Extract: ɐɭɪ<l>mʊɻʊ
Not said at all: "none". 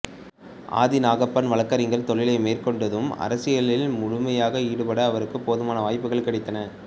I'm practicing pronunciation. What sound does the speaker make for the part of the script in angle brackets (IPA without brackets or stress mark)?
l